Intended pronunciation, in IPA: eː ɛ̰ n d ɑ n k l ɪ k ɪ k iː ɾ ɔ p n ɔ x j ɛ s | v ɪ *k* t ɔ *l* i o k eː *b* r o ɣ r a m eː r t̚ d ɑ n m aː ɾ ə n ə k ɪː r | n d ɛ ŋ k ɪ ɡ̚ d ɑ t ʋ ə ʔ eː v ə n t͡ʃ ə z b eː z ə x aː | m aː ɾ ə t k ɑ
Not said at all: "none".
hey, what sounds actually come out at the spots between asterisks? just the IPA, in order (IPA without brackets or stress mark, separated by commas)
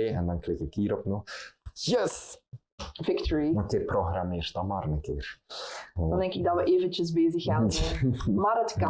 k, ɹ, p